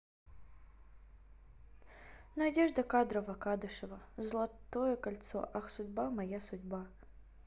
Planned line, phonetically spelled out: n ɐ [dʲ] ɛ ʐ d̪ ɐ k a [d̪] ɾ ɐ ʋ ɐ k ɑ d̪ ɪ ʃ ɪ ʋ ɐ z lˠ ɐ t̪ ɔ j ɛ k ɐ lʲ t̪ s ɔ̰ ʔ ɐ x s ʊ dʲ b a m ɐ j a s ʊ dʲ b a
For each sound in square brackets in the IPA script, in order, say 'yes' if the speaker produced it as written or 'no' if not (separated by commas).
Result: yes, yes